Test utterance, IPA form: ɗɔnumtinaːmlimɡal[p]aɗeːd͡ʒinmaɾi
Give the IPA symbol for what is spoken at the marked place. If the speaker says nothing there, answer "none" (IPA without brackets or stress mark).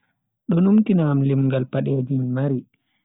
p